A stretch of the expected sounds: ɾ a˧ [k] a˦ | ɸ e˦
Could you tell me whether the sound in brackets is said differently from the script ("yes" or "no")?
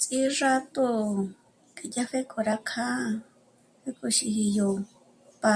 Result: yes